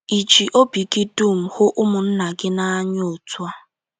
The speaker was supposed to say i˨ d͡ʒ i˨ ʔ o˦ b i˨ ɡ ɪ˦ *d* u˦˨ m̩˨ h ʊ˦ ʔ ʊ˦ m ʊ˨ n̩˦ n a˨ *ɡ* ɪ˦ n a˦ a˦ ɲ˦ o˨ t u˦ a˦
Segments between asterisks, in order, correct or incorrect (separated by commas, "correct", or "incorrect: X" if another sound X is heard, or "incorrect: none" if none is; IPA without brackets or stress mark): correct, correct